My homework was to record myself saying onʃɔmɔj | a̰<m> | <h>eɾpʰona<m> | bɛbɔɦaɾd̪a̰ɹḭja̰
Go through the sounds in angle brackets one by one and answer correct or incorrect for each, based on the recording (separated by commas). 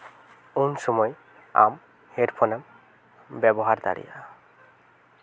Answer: correct, correct, correct